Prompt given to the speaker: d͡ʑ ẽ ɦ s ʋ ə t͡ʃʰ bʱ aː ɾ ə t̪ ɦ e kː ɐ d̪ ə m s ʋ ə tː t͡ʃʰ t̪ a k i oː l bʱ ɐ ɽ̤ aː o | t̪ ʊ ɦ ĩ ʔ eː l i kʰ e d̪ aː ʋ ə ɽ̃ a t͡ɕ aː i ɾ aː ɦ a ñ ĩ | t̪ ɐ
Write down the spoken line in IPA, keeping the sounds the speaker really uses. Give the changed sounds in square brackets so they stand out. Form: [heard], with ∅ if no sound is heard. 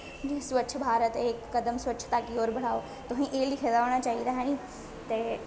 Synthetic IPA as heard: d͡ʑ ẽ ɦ s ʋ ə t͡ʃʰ bʱ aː ɾ ə t̪ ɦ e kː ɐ d̪ ə m s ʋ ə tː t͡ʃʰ t̪ a k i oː [ɾ] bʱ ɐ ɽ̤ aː o | t̪ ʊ ɦ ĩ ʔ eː l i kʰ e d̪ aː ʋ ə ɽ̃ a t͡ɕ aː i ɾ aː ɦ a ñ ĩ | t̪ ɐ